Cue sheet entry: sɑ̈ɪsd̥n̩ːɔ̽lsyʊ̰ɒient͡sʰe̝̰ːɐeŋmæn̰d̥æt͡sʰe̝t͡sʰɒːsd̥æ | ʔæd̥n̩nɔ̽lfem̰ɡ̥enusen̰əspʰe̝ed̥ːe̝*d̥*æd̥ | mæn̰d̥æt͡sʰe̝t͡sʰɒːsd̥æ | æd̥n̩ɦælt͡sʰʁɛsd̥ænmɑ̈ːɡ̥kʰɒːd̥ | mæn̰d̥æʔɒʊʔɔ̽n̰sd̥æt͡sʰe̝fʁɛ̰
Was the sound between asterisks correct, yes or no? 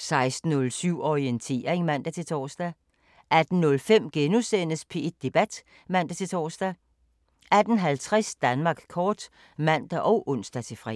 no